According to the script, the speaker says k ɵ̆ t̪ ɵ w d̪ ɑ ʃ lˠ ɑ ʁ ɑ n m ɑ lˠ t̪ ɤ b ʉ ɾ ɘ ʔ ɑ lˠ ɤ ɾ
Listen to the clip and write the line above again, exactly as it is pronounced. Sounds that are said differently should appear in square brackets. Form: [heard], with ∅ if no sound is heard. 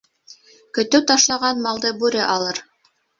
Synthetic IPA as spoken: k ɵ̆ t̪ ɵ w [t̪] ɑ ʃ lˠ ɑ ʁ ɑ n m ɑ lˠ [d̪] ɤ b ʉ ɾ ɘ ʔ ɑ lˠ ɤ ɾ

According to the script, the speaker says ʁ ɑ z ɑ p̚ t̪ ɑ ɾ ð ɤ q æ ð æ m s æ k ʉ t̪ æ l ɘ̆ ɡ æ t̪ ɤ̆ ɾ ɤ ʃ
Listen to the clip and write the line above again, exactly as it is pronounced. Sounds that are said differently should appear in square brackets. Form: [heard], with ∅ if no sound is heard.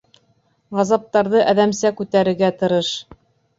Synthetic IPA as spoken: ʁ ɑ z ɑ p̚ t̪ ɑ ɾ ð ɤ [ʔ] æ ð æ m s æ k ʉ t̪ æ [ɾ] ɘ̆ ɡ æ t̪ ɤ̆ ɾ ɤ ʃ

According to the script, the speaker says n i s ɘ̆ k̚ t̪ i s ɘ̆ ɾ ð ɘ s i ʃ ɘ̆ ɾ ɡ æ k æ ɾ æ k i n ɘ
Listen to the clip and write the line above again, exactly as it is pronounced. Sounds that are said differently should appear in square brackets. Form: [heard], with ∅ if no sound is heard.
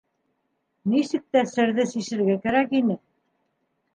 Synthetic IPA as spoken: n i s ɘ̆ k̚ t̪ [æ] s ɘ̆ ɾ ð ɘ s i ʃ ɘ̆ ɾ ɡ æ k æ ɾ æ k i n ɘ

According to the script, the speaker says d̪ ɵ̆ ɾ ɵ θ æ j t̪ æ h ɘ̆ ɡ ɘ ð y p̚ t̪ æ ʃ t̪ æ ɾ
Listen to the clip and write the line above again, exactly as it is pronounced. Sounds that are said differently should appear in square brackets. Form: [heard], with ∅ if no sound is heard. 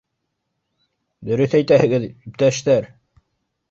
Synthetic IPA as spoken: d̪ ɵ̆ ɾ ɵ θ æ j t̪ æ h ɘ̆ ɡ ɘ ð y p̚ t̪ æ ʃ t̪ æ ɾ

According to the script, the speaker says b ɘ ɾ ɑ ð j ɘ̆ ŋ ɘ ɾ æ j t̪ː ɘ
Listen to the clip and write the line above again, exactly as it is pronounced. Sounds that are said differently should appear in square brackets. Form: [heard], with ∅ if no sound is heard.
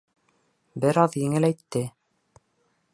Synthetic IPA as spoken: b ɘ ɾ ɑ ð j ɘ̆ ŋ ɘ [l] æ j t̪ː ɘ

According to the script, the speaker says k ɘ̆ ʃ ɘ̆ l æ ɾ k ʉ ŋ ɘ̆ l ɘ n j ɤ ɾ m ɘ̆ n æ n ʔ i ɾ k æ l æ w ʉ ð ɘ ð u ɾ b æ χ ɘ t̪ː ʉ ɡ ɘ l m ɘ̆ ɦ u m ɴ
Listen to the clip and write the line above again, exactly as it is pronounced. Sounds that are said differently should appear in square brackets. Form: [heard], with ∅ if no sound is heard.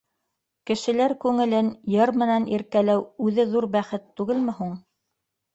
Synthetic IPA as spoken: k ɘ̆ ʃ ɘ̆ l æ ɾ k ʉ ŋ ɘ̆ l ɘ n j ɤ ɾ m ɘ̆ n æ n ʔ i ɾ k æ l æ w ʉ ð ɘ ð u ɾ b æ χ ɘ t̪ː ʉ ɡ ɘ l m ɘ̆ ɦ u [∅] ɴ

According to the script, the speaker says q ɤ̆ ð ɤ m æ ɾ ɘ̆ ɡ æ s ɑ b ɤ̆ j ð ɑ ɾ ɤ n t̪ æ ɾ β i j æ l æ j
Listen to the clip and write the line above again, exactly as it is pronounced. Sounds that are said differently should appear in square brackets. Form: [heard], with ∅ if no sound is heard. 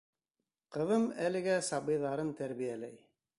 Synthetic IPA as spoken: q ɤ̆ ð ɤ m æ [l] ɘ̆ ɡ æ s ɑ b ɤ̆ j ð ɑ ɾ ɤ n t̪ æ ɾ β i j æ l æ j

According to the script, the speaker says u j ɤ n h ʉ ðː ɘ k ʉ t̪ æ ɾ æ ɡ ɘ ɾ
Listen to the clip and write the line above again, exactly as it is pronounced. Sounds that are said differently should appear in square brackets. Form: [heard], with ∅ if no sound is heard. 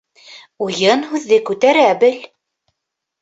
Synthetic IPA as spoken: u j ɤ n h ʉ ðː ɘ k ʉ t̪ æ ɾ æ [b] ɘ [l]

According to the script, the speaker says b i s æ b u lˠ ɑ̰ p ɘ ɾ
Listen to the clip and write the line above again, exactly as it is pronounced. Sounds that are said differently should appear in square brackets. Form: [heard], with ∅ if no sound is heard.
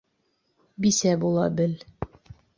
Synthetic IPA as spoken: b i s æ b u lˠ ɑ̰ [b] ɘ [l]

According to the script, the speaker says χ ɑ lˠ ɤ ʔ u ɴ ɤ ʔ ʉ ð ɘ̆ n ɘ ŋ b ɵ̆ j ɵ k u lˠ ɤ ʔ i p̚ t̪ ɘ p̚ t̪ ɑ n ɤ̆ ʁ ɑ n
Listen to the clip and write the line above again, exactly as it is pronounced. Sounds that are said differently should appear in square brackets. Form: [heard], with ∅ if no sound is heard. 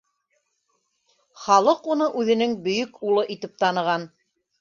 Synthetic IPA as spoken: χ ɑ lˠ ɤ [q] u [n] ɤ ʔ ʉ ð ɘ̆ n ɘ ŋ b ɵ̆ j ɵ k u lˠ ɤ ʔ i [∅] t̪ ɘ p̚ t̪ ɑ n ɤ̆ ʁ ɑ n

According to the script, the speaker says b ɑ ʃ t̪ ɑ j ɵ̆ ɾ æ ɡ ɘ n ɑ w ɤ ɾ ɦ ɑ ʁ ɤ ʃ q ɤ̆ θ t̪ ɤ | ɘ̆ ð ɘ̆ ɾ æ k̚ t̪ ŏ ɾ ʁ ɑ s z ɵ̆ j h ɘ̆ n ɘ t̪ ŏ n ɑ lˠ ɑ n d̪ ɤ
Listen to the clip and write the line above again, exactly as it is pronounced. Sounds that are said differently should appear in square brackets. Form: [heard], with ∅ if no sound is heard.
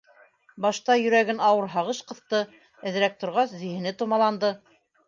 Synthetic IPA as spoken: b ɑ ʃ t̪ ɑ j ɵ̆ ɾ æ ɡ ɘ n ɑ w ɤ ɾ ɦ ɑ ʁ ɤ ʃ q ɤ̆ θ t̪ ɤ | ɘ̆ ð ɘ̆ ɾ æ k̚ t̪ ŏ ɾ ʁ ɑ s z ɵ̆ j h ɘ̆ n ɘ t̪ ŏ [m] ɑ lˠ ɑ n d̪ ɤ

